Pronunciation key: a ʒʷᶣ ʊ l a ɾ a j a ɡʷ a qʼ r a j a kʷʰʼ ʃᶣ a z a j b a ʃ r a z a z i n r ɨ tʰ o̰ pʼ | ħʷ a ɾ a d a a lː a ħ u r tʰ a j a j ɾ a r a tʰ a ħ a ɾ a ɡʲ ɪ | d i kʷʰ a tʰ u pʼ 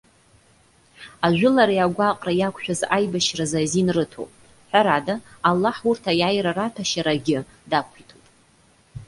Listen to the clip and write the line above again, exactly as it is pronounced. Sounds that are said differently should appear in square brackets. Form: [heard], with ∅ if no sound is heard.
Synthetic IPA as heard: a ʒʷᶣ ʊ l a ɾ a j a ɡʷ a qʼ r a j a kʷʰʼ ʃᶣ a z a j b a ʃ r a z a z i n r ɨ tʰ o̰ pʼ | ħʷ a ɾ a d a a lː a ħ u r tʰ a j a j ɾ a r a tʰ a [ʃ] a ɾ a ɡʲ ɪ | d [a] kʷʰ [i] tʰ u pʼ